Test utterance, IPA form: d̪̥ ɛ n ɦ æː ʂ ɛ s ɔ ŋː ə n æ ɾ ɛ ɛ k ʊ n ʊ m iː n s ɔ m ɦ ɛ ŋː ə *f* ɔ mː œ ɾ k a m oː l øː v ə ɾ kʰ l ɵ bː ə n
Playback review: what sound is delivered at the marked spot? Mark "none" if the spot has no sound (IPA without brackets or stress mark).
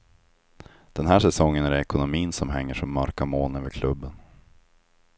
ʂ